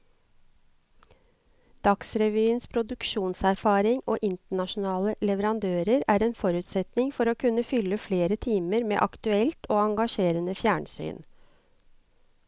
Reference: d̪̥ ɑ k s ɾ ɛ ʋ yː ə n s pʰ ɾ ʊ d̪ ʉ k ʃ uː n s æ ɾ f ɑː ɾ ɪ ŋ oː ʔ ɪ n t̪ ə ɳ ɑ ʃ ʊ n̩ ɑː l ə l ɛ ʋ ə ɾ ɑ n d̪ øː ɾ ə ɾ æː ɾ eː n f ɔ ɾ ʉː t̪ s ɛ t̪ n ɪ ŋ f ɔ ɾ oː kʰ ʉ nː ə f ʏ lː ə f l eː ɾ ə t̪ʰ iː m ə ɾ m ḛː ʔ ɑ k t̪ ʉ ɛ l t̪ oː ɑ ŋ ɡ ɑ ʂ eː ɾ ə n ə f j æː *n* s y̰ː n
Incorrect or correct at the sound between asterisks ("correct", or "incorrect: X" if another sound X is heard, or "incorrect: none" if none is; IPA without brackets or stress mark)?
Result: incorrect: ɳ